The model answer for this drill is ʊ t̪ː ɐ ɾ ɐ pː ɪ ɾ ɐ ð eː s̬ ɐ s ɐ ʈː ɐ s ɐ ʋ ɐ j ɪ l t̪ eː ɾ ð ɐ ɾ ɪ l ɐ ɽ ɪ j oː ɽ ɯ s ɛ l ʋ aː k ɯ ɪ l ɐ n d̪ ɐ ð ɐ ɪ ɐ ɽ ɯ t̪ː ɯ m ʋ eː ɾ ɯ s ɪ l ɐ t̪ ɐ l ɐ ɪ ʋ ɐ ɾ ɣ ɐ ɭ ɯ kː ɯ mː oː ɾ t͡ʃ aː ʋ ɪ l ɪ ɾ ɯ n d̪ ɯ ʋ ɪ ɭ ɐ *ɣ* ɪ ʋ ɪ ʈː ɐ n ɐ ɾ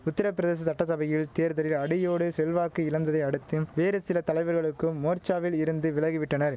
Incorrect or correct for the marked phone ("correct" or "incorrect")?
correct